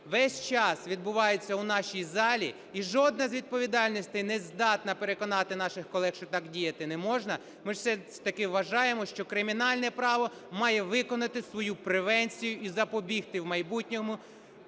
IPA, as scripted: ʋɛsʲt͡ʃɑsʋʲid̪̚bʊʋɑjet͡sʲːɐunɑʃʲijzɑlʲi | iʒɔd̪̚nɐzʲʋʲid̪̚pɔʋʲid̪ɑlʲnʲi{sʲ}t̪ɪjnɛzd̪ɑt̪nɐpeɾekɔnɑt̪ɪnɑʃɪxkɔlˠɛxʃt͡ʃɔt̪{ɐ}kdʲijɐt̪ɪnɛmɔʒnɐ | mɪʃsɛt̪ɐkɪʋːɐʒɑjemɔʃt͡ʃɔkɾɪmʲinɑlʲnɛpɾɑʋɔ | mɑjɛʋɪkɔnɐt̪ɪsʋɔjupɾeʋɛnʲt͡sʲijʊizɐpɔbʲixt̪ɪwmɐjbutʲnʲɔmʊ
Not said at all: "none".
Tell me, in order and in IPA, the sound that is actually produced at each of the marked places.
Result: sʲ, ɑ

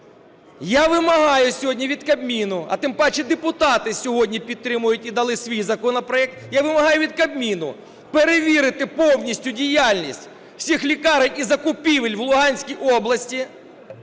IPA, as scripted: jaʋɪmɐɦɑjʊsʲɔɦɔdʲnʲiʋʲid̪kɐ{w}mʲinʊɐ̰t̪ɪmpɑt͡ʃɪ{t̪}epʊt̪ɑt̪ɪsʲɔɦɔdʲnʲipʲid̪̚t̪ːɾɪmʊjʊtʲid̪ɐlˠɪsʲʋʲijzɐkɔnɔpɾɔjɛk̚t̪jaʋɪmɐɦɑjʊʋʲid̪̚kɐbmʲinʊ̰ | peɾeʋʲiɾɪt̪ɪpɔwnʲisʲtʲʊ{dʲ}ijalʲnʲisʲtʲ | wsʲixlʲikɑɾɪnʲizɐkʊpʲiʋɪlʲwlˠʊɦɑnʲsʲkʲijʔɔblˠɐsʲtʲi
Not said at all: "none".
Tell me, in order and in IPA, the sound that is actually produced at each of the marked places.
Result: b, d̪, dʲ

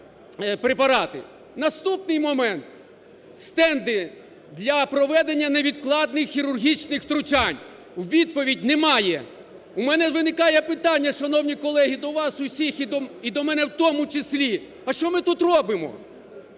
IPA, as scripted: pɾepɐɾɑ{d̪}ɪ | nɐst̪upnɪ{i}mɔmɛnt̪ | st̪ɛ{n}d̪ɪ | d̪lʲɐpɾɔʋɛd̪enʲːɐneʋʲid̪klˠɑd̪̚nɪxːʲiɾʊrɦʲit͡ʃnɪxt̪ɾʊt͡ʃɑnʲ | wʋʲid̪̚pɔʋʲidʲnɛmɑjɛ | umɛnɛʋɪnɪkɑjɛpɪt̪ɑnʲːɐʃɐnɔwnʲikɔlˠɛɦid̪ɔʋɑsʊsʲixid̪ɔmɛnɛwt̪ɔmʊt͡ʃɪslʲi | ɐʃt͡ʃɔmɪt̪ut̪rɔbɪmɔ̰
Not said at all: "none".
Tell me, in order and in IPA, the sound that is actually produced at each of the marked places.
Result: t̪, j, n

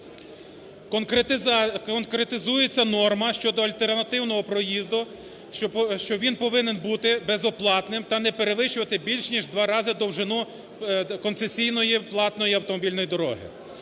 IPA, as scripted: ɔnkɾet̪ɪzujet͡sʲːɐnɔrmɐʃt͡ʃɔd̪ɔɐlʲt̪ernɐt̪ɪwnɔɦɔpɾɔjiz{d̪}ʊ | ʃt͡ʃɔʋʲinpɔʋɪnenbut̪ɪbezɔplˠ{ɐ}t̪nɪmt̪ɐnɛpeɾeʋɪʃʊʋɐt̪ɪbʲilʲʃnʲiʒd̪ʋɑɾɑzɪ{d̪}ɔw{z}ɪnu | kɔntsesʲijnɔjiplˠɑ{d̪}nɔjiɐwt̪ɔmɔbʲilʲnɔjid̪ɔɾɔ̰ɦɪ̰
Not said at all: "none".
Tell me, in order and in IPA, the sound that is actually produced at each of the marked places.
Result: d̪, ɑ, d̪, ʒ, t̪

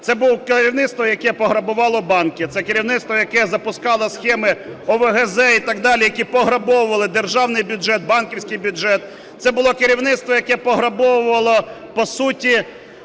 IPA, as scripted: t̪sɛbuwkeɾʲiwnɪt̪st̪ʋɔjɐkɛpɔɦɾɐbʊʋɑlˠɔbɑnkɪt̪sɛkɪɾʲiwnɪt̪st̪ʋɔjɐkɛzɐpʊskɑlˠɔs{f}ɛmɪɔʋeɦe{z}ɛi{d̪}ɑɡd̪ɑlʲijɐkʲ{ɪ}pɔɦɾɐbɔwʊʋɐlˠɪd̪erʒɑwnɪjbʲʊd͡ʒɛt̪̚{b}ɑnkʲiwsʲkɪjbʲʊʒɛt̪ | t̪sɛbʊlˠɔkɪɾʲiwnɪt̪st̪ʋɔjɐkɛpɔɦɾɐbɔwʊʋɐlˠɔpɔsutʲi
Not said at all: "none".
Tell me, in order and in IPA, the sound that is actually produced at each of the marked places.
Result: x, z, t̪, i, b

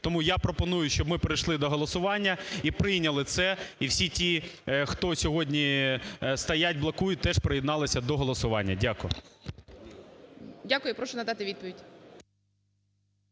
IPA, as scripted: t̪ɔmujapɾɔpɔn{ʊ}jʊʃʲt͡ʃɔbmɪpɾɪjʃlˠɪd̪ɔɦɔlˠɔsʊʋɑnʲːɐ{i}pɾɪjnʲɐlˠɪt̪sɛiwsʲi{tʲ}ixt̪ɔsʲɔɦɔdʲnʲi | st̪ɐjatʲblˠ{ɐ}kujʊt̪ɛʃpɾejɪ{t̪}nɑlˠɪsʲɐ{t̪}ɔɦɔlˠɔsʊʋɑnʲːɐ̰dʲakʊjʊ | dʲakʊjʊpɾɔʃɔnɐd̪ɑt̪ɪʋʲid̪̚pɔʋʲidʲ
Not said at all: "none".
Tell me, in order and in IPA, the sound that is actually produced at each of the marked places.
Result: u, i, tʲ, ɐ, d̪, d̪

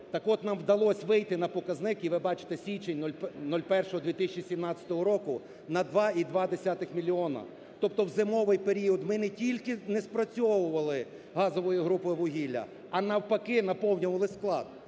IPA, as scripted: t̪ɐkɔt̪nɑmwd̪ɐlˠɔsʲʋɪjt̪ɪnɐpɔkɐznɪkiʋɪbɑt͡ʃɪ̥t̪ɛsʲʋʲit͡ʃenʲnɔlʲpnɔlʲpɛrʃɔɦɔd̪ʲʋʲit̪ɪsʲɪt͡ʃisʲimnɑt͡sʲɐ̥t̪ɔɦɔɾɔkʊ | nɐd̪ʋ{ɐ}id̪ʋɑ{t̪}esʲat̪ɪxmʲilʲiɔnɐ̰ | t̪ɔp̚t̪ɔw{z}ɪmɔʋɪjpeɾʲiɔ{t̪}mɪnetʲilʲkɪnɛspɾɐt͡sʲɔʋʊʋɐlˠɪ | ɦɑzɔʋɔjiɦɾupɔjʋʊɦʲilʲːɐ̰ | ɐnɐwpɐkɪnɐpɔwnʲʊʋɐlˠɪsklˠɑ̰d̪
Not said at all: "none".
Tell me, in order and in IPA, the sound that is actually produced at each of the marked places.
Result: ɑ, d̪, z, d̪

